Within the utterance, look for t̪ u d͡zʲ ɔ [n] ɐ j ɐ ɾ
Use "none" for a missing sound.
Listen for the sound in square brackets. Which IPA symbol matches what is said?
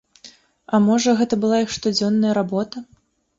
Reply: nː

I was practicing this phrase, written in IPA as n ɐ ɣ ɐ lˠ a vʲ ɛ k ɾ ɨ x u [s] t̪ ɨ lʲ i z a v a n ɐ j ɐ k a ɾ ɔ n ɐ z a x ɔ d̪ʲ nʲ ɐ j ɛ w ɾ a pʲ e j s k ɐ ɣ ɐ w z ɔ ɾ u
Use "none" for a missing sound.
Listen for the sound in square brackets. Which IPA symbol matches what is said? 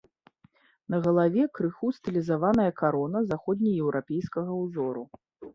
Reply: s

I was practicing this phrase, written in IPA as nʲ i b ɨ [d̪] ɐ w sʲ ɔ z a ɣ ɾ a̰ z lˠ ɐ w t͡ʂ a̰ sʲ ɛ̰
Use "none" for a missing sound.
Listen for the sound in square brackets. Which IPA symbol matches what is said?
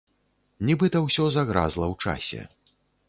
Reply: t̪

